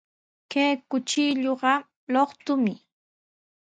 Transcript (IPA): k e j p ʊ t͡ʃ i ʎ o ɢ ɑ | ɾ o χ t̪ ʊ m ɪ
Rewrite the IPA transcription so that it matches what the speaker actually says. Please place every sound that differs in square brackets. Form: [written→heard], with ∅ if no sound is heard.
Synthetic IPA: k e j [p→k] ʊ t͡ʃ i ʎ o ɢ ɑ | [ɾ→l] o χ t̪ ʊ m ɪ